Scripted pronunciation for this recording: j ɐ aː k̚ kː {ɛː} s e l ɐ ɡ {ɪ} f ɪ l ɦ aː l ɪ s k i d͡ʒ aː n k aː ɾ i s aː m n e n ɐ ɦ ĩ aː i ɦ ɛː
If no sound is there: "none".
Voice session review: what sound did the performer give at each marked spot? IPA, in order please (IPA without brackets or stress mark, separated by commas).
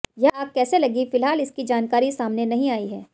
ɛː, i